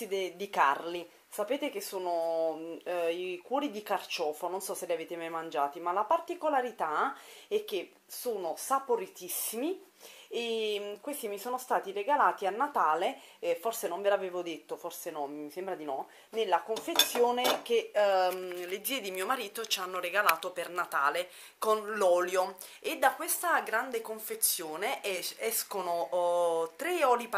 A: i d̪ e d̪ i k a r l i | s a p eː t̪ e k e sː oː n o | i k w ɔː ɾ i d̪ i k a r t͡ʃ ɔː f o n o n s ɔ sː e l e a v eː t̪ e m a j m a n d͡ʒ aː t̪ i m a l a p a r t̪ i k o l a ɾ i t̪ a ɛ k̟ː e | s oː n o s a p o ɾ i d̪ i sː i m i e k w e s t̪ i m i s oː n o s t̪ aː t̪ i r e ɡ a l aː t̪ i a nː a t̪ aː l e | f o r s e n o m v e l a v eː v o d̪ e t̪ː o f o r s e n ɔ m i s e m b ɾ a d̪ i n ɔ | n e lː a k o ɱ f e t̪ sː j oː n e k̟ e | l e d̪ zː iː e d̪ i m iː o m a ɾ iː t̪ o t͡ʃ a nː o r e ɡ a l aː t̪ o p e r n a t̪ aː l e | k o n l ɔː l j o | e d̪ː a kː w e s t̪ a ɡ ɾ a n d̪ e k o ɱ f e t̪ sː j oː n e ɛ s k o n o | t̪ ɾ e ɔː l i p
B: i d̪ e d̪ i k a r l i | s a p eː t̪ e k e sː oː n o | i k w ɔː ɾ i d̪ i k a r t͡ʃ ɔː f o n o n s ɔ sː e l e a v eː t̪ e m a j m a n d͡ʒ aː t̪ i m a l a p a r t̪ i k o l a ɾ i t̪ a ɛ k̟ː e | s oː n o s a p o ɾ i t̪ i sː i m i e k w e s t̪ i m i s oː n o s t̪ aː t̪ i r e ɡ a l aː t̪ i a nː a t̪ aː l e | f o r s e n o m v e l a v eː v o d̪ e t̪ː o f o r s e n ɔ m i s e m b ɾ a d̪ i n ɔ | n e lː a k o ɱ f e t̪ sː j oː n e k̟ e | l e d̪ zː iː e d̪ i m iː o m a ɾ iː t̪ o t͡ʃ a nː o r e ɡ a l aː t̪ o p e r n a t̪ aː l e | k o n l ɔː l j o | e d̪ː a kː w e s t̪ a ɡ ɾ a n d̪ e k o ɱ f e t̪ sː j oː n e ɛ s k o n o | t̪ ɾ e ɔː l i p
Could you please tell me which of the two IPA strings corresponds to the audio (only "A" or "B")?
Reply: B